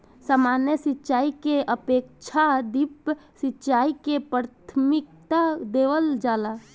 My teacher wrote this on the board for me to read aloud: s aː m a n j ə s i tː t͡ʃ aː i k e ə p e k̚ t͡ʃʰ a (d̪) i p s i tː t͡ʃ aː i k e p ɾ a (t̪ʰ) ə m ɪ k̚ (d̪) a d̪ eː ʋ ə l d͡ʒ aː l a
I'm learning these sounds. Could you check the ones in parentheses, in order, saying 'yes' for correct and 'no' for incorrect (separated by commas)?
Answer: yes, yes, no